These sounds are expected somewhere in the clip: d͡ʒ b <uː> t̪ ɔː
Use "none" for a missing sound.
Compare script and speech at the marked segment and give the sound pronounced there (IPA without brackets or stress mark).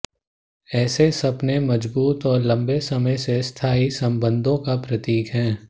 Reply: uː